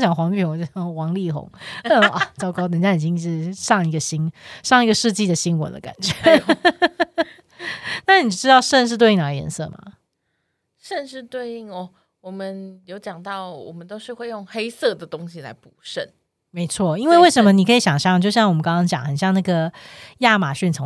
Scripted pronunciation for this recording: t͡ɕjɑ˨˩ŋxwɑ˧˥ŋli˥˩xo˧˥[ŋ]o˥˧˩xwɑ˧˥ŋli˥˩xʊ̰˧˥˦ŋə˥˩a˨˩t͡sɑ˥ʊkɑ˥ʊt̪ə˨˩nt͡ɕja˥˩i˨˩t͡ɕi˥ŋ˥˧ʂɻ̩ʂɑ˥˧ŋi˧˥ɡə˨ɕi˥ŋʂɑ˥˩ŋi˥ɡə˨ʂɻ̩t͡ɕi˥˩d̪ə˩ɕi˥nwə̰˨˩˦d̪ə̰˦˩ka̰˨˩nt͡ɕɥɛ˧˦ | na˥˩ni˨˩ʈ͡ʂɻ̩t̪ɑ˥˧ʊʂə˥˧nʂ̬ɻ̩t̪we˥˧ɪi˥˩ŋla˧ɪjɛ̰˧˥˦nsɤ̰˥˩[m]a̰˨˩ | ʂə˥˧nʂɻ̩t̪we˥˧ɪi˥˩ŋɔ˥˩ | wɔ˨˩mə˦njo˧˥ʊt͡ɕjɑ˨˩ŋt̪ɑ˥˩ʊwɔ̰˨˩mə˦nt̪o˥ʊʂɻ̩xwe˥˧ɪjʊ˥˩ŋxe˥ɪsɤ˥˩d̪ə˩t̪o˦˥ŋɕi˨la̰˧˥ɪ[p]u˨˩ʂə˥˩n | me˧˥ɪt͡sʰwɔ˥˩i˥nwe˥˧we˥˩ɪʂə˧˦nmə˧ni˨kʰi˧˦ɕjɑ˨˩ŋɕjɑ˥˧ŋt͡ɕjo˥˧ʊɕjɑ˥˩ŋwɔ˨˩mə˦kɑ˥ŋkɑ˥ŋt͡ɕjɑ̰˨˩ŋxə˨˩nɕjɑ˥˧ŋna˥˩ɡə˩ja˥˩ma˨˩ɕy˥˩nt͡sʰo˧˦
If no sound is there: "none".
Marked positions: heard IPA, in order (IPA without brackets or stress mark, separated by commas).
ŋ, m, p